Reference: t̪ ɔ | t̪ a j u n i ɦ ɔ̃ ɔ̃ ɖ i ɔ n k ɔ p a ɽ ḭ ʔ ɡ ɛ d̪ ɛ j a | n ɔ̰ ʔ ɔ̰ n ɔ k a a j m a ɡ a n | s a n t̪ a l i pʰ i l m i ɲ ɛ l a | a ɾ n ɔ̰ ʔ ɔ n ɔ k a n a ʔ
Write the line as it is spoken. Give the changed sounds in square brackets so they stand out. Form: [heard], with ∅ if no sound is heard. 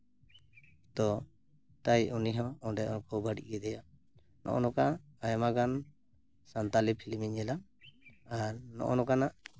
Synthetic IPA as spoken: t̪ ɔ | t̪ a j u n i ɦ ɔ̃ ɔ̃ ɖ [ɛ] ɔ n k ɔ [b] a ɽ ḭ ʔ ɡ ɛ d̪ ɛ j a | n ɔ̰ ʔ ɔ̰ n ɔ k a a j m a ɡ a n | s a n t̪ a l i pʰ i l m i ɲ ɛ l a | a ɾ n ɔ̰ ʔ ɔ n ɔ k a n a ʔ